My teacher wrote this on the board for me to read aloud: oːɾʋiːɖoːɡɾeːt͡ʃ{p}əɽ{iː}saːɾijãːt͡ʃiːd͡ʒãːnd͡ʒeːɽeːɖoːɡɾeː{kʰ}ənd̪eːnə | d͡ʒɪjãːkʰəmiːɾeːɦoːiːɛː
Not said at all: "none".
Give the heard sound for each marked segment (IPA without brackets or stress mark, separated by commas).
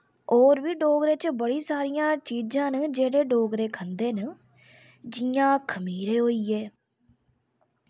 b, iː, kʰ